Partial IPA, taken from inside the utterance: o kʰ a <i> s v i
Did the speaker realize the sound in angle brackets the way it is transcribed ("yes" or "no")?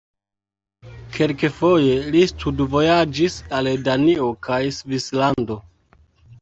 no